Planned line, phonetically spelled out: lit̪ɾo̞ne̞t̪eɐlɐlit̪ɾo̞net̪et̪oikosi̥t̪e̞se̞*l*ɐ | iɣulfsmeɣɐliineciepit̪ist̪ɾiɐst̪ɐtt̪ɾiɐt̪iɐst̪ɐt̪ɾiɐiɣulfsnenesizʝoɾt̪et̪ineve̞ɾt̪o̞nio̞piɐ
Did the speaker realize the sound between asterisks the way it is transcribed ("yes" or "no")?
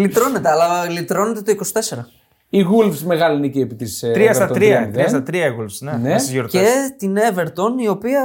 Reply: no